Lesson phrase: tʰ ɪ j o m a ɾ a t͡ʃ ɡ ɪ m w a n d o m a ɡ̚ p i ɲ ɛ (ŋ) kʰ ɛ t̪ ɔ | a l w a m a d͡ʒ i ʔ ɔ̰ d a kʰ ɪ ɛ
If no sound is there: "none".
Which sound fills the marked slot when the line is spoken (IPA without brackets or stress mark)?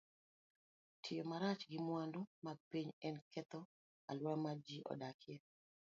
n